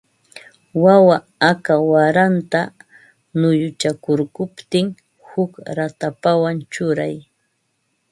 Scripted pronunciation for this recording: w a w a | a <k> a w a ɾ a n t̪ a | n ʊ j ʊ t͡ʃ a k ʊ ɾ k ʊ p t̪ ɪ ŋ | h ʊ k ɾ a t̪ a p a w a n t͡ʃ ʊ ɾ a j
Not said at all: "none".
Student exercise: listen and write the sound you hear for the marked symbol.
k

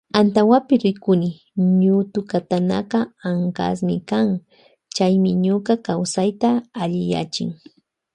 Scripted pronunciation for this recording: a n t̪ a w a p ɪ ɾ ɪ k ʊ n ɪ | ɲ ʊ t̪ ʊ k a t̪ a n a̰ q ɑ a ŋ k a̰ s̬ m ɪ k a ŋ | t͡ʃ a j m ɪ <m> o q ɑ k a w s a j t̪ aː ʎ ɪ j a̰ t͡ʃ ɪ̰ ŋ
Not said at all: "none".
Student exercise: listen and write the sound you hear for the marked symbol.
ɲ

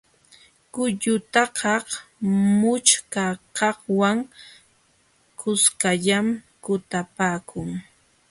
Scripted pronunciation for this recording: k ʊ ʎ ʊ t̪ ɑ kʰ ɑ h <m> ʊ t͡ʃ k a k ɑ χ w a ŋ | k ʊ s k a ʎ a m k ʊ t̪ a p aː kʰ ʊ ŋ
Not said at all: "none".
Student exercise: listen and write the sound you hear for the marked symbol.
m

